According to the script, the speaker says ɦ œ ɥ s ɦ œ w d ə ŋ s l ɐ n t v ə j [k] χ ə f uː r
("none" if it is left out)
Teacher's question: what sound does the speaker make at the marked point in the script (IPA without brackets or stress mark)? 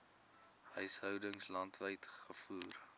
t